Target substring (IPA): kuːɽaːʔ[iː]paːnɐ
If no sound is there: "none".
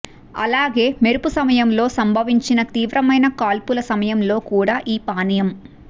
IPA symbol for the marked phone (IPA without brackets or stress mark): iː